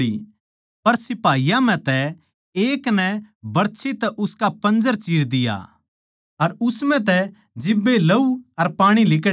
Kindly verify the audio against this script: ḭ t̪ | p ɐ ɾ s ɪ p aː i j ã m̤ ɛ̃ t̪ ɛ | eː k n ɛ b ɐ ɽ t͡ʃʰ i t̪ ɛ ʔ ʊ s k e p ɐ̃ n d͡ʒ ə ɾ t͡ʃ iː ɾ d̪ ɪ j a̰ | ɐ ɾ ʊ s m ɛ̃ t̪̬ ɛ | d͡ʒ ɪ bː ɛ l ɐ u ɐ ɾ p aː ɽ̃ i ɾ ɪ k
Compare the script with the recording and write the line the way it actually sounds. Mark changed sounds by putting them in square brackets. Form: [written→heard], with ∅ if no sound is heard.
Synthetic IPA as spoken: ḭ [t̪→∅] | p ɐ ɾ s ɪ p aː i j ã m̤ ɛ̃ t̪ ɛ | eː k n ɛ b ɐ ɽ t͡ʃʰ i t̪ ɛ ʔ ʊ s k [e→a] p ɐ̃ n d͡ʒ ə ɾ t͡ʃ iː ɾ d̪ ɪ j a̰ | ɐ ɾ ʊ s m ɛ̃ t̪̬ ɛ | d͡ʒ ɪ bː [ɛ→e] l ɐ u ɐ ɾ p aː ɽ̃ i [ɾ→l] ɪ k

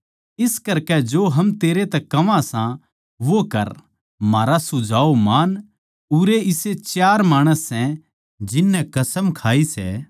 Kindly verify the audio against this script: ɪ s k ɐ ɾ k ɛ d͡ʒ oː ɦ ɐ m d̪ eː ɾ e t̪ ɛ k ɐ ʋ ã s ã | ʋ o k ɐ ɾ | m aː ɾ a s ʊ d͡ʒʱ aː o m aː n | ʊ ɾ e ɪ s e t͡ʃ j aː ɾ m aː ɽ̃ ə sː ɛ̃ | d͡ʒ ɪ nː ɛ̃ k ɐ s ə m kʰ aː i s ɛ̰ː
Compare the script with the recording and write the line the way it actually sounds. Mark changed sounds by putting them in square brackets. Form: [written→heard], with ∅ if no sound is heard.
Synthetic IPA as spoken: ɪ s k ɐ ɾ k ɛ d͡ʒ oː ɦ ɐ m [d̪→t̪] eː ɾ e t̪ ɛ k ɐ ʋ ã s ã | ʋ o k ɐ ɾ | m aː ɾ a s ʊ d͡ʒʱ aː o m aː n | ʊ ɾ e ɪ s e t͡ʃ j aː ɾ m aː ɽ̃ ə sː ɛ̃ | d͡ʒ ɪ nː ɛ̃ k ɐ s ə m kʰ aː i s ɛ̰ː

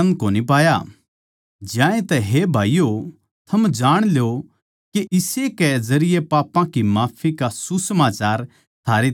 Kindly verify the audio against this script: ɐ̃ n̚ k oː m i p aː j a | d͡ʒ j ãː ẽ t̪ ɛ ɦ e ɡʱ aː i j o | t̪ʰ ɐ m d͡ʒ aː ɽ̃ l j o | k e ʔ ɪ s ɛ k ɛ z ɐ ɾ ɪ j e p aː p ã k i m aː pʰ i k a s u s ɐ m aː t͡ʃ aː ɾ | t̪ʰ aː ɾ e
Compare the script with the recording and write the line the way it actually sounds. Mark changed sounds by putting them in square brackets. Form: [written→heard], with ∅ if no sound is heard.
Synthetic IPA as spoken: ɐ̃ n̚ k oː [m→n] i p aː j a | d͡ʒ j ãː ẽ t̪ ɛ ɦ e [ɡʱ→bʱ] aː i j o | t̪ʰ ɐ m d͡ʒ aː ɽ̃ l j o | k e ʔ ɪ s [ɛ→e] k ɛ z ɐ ɾ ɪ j e p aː p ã k i m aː pʰ i k a s u s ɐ m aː t͡ʃ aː ɾ | t̪ʰ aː ɾ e

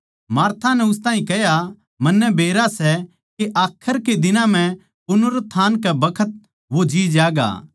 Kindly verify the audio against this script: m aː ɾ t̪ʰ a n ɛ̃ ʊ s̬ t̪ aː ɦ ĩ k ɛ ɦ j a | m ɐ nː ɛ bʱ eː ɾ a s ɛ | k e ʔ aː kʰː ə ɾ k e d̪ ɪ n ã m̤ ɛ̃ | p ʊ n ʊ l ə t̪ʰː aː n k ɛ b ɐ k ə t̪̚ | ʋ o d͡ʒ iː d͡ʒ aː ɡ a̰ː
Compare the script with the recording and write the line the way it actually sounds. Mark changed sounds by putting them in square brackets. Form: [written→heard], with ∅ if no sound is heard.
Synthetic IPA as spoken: m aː ɾ t̪ʰ a n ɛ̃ ʊ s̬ t̪ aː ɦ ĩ k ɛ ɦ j a | m ɐ nː ɛ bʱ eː ɾ a s ɛ | k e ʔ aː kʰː ə ɾ k e d̪ ɪ n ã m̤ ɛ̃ | p ʊ n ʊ [l→ɾ] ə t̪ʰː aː n k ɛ b ɐ [k→kʰ] ə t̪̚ | ʋ o d͡ʒ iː d͡ʒ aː ɡ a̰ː

